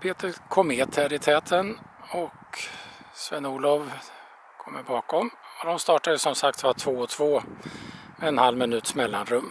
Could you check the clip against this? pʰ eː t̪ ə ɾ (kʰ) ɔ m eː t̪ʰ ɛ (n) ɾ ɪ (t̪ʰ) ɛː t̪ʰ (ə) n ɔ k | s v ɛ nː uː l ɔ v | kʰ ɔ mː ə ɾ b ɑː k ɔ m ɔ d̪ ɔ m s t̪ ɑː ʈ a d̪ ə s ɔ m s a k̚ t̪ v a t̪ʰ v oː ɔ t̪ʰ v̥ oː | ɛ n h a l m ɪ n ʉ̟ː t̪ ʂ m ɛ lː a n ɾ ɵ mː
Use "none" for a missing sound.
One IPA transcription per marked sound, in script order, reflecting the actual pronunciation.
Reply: kʰ, none, t̪ʰ, ə

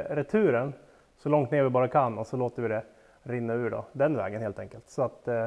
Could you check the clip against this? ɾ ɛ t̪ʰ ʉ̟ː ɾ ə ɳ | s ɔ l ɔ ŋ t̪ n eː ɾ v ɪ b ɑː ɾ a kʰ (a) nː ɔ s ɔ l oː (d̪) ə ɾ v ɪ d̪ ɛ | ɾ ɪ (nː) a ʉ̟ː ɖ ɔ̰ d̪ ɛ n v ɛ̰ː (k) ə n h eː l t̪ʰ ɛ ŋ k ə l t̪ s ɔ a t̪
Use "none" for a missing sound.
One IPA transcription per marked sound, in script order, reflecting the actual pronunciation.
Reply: a, t̪, nː, ɡ

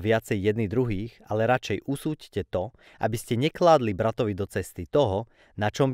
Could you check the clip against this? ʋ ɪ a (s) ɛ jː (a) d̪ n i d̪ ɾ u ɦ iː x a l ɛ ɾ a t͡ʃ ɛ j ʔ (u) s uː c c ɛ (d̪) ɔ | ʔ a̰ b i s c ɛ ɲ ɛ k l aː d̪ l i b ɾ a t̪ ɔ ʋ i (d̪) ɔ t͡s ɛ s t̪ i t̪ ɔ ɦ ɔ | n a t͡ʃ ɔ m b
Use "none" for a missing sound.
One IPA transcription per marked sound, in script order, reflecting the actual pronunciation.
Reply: t͡s, ɛ, u, t̪, d̪

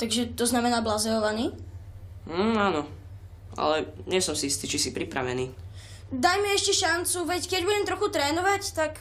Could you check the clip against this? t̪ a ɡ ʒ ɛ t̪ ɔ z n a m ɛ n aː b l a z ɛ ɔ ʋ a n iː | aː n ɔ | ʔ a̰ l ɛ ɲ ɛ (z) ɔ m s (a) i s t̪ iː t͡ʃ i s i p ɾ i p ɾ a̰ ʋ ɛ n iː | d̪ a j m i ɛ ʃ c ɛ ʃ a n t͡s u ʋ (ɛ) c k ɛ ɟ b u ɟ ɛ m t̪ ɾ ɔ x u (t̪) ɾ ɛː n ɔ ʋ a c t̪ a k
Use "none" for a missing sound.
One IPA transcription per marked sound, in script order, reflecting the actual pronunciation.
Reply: s, i, ɛ, t̪

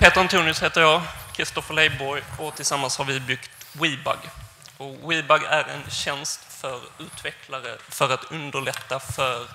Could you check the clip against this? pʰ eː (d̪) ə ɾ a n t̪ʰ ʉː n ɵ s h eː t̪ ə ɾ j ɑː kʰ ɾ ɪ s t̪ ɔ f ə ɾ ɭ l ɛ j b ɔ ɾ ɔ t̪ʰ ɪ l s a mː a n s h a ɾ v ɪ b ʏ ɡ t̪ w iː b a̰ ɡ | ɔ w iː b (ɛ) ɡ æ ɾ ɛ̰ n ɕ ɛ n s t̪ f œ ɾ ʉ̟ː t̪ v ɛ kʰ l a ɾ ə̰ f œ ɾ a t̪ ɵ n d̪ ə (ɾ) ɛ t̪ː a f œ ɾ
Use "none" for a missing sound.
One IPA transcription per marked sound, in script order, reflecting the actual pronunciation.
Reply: t̪, a, ɭ

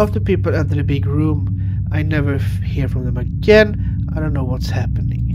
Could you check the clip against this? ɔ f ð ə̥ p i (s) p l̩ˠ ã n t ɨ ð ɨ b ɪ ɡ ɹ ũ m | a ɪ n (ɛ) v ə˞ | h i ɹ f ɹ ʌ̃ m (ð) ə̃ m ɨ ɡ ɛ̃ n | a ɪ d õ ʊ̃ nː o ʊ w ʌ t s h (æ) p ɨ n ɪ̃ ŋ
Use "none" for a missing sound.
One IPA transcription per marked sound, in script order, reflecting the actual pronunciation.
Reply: none, ɛ, ð, æ

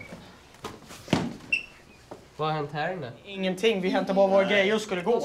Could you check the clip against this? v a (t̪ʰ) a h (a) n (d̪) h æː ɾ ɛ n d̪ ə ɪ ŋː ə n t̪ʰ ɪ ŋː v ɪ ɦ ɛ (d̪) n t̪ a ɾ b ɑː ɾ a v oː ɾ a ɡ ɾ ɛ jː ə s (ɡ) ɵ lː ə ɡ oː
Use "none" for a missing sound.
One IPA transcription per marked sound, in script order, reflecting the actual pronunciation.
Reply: none, ɛ, t̪, none, k

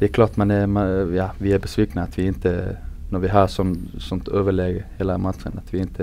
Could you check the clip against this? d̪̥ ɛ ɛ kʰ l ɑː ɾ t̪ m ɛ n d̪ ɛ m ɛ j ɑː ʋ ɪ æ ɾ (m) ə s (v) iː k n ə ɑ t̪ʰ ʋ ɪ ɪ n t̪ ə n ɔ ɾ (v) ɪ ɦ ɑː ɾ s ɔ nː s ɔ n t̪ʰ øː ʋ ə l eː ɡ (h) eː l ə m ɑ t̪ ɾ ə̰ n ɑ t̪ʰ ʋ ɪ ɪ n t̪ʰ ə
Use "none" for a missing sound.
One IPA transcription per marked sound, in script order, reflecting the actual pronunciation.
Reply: b, ʋ, ʋ, h

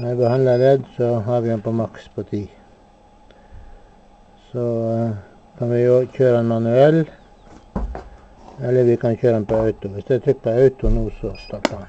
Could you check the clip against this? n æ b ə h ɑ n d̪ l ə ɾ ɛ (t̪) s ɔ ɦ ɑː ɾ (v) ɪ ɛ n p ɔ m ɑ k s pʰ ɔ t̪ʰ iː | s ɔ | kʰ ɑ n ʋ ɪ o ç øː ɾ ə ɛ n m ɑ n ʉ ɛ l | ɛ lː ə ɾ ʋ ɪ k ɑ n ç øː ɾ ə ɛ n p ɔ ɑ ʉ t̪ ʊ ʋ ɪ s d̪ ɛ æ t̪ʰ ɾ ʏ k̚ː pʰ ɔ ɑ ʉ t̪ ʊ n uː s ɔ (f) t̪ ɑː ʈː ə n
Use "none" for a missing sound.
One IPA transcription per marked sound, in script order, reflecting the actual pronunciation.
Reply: d̪, ʋ, s

